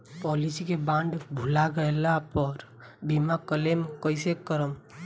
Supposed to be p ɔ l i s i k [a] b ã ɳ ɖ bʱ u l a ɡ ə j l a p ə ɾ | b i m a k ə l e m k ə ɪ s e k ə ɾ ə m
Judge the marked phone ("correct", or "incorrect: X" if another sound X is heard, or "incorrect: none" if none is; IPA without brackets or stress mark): incorrect: e